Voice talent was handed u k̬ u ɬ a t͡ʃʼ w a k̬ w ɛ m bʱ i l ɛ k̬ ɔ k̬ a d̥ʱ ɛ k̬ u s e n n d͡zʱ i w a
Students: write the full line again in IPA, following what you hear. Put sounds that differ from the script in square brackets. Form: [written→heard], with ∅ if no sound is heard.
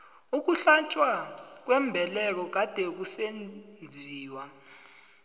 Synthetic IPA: u k̬ u ɬ a t͡ʃʼ w a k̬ w ɛ m bʱ [i→ɛ] l ɛ k̬ ɔ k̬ a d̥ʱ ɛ k̬ u s e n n d͡zʱ [i→iː] w a